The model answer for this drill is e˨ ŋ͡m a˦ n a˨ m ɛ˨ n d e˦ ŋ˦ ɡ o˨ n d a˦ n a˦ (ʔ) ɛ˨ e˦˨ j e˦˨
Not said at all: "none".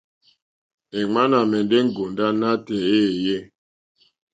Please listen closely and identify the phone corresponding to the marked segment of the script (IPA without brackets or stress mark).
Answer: t